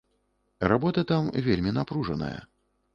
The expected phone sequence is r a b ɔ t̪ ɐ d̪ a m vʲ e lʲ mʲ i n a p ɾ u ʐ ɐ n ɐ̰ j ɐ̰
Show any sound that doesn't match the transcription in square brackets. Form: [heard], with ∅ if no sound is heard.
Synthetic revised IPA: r a b ɔ t̪ ɐ [t̪] a m vʲ e lʲ mʲ i n a p ɾ u ʐ ɐ n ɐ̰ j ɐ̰